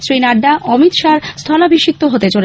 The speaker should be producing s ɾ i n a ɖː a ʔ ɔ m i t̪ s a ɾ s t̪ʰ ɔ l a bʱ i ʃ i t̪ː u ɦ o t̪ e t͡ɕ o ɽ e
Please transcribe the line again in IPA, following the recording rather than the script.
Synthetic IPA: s ɾ i n a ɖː a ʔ ɔ m i t̪ ʃ a ɾ s t̪ʰ ɔ l a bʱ i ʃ i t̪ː o ɦ o t̪ e t͡ɕ o l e